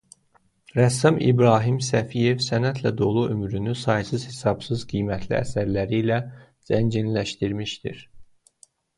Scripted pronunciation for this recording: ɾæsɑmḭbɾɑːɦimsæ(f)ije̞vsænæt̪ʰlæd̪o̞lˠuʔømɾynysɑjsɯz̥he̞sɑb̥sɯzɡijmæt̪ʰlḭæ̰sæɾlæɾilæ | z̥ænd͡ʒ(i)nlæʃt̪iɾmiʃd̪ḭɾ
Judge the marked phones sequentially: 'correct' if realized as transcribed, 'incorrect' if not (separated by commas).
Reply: correct, correct